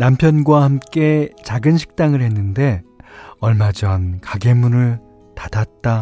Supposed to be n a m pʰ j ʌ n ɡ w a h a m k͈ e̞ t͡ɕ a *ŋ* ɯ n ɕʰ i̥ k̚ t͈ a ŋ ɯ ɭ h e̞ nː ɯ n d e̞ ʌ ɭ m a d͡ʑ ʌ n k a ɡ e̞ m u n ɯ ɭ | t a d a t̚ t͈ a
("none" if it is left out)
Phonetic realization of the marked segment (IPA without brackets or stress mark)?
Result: ɡ